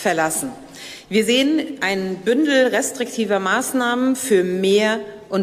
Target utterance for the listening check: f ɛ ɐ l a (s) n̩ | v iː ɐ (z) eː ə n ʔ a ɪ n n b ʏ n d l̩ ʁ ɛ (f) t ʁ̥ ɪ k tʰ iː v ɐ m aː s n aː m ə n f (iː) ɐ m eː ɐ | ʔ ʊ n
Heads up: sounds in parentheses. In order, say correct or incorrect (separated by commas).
correct, correct, incorrect, incorrect